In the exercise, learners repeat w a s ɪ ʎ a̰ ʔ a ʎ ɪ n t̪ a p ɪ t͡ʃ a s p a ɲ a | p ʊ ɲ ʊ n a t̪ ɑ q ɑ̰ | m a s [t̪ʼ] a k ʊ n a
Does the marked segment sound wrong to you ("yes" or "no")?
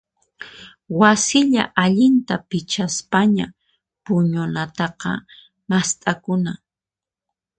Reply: no